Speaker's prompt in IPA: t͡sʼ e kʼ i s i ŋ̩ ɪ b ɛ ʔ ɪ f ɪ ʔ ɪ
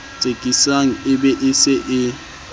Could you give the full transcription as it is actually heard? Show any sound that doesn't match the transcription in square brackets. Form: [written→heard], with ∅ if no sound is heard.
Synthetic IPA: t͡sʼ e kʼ i s [i→a] ŋ̩ ɪ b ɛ ʔ ɪ [f→s] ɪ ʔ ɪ